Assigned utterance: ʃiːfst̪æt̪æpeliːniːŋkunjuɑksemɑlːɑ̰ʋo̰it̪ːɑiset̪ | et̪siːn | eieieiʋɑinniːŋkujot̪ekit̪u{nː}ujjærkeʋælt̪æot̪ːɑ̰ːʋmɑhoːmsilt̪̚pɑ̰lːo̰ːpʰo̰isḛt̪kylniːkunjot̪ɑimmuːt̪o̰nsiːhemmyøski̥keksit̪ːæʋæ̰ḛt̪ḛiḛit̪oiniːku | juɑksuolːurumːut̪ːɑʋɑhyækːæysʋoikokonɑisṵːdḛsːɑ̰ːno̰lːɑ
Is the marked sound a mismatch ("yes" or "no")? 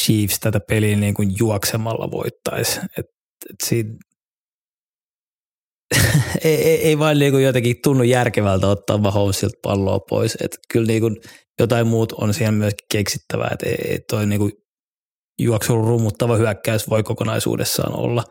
no